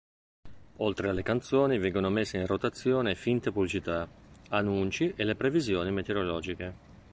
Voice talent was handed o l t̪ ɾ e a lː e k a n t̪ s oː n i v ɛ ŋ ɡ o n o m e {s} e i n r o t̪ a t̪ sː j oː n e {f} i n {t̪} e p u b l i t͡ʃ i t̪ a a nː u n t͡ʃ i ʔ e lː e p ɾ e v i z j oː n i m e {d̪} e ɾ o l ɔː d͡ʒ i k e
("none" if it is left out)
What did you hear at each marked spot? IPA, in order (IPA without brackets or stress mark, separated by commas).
sː, f, t̪, t̪